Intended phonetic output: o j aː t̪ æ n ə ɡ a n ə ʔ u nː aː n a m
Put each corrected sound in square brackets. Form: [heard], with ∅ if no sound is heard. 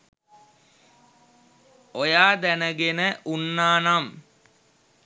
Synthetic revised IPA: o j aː [d̪] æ n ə ɡ [e] n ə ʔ u nː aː n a m